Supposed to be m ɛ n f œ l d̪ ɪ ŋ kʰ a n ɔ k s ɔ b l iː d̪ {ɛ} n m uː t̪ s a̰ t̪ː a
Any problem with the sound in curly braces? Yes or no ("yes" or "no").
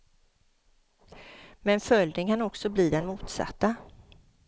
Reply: no